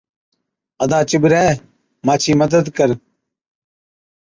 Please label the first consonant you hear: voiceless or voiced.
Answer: voiced